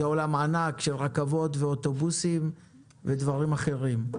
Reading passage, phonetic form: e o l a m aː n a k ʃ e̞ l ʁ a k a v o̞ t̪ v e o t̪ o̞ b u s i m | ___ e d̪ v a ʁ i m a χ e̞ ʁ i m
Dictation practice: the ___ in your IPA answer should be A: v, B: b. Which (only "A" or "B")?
A